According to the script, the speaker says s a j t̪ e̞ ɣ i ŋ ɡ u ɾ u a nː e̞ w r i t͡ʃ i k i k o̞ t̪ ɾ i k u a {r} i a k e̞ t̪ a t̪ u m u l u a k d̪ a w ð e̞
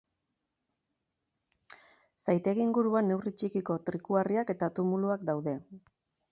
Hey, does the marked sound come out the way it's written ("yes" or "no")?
yes